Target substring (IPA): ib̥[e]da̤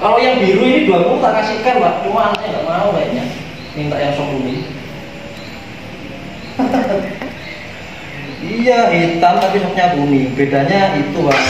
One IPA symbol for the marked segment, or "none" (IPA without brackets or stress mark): e